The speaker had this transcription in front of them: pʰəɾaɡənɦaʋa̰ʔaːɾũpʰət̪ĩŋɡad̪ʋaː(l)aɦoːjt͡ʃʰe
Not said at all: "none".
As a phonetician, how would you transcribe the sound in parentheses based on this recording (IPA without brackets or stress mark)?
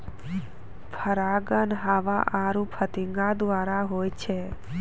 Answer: ɾ